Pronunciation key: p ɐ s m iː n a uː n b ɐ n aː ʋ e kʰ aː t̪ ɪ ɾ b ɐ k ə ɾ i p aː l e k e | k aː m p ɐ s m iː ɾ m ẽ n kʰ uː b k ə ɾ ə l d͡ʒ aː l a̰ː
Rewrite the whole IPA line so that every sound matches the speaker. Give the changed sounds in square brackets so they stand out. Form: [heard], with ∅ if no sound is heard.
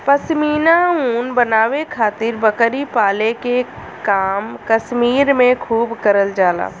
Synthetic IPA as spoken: p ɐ s m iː n a uː n b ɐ n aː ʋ e kʰ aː t̪ ɪ ɾ b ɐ k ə ɾ i p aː l e k e | k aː m [k] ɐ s m iː ɾ m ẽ [∅] kʰ uː b k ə ɾ ə l d͡ʒ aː l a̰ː